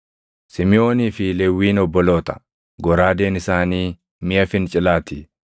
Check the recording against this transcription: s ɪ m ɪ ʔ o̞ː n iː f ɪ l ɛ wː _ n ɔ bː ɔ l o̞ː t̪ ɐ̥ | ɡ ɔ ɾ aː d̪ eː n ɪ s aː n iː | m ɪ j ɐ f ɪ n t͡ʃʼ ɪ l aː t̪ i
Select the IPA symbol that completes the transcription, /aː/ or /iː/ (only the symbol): iː